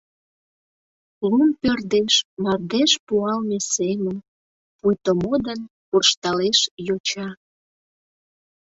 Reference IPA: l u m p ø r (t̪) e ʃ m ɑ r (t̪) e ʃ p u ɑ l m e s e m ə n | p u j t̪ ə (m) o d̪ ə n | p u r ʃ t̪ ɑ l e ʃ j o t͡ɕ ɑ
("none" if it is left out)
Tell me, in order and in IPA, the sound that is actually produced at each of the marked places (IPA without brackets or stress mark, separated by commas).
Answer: d̪, d̪, m